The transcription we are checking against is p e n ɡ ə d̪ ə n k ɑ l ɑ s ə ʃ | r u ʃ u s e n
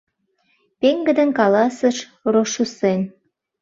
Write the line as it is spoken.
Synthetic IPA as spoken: p e ŋ ɡ ə d̪ ə n k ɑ l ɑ s ə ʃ | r o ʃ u s e n